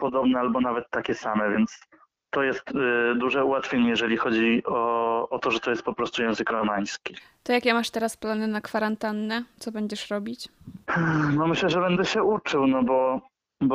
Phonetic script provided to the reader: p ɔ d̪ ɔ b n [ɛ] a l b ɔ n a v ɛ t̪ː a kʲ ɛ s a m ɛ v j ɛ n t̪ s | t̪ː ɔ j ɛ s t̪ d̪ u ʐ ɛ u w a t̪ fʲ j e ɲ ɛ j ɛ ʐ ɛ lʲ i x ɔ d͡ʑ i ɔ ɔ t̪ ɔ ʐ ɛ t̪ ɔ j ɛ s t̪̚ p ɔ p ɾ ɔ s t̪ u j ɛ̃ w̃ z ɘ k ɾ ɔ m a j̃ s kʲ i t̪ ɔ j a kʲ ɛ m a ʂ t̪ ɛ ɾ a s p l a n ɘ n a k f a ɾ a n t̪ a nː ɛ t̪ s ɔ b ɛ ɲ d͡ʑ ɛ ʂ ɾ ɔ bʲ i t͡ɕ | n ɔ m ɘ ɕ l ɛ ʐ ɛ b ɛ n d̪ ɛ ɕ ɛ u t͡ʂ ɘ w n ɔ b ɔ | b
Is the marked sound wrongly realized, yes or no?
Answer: no